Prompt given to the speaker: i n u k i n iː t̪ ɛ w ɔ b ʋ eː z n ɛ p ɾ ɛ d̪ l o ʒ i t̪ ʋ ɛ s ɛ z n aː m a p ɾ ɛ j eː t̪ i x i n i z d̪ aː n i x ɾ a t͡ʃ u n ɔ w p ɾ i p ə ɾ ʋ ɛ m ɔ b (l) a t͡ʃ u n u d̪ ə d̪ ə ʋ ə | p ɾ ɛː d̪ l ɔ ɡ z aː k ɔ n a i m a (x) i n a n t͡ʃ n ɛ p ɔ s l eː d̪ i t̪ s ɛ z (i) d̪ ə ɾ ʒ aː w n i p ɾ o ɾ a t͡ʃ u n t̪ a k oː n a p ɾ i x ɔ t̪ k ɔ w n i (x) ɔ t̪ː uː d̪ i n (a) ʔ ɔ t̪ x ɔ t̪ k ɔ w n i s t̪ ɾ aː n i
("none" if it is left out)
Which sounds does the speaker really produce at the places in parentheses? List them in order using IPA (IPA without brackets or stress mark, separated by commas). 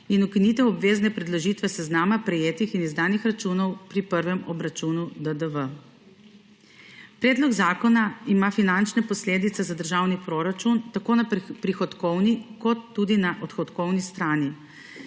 ɾ, f, a, k, a